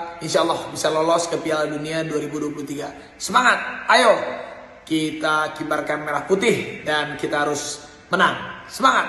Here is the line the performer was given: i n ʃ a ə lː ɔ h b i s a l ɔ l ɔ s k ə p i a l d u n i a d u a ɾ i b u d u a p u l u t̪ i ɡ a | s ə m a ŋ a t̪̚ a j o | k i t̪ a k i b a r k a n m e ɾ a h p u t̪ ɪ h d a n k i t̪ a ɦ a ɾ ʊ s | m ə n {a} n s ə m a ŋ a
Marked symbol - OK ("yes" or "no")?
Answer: yes